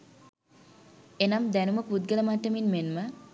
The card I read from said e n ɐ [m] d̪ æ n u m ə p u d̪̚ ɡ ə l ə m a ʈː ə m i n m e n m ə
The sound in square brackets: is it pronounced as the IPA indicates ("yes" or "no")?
yes